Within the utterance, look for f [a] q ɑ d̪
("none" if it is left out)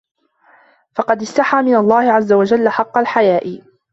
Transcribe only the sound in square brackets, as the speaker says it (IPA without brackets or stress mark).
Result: ɑ